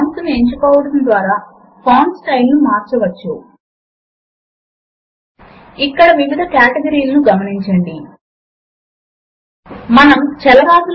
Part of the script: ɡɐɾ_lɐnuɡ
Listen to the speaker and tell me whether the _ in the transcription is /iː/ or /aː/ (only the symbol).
iː